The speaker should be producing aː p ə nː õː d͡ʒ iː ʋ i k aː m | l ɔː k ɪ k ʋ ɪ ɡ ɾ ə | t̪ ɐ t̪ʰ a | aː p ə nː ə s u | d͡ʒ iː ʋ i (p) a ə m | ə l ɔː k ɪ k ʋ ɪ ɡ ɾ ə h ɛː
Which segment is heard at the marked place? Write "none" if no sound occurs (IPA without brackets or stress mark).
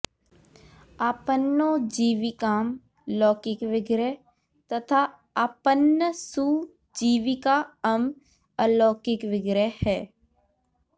k